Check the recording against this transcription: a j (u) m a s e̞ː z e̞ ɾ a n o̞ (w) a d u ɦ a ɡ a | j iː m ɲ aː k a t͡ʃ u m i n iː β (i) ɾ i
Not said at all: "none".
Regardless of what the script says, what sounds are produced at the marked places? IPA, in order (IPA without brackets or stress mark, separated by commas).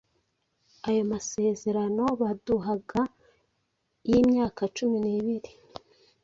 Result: o, β, i